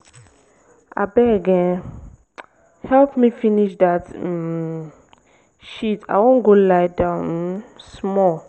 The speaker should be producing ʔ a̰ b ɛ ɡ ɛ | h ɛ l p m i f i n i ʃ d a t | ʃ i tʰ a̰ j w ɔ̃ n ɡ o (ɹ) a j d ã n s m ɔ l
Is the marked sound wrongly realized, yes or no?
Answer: yes